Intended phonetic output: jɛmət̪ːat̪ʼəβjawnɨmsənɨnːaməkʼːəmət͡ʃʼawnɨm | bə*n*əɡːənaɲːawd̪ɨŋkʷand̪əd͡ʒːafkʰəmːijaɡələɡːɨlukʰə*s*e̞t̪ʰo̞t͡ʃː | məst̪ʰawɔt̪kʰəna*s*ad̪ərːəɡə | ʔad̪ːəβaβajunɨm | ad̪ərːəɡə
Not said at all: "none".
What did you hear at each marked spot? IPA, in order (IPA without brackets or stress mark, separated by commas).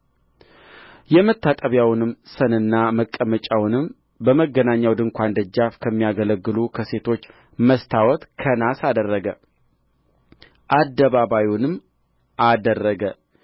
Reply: m, s, s